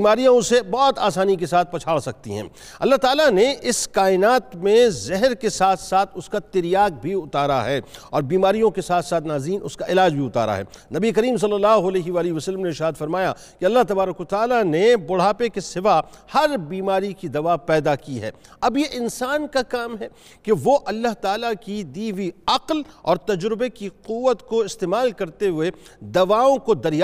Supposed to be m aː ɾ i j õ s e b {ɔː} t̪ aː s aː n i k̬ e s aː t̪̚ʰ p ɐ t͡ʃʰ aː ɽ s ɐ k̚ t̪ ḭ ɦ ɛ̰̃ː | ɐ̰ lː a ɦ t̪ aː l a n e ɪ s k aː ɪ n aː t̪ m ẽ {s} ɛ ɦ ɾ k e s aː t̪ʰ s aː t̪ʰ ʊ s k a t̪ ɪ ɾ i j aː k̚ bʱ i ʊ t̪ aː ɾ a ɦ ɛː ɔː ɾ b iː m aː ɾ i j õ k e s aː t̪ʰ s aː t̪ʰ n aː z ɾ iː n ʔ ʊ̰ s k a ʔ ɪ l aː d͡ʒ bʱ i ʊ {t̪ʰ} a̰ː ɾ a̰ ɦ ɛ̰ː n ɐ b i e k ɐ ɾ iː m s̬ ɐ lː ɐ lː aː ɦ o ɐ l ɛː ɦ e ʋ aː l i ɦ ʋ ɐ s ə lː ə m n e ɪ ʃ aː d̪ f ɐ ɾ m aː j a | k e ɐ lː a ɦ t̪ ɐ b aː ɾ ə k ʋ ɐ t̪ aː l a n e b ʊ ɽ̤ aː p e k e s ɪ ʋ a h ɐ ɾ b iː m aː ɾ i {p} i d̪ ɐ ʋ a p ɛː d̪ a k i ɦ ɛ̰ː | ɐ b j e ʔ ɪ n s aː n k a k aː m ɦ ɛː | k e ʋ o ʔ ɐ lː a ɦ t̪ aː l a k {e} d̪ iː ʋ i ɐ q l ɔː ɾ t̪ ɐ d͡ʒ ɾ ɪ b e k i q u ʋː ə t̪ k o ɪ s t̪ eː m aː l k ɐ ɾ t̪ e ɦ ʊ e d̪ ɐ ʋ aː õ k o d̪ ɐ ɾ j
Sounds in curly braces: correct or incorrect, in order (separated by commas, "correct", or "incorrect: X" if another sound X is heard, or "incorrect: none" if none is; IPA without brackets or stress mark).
correct, incorrect: z, incorrect: t̪, incorrect: k, incorrect: i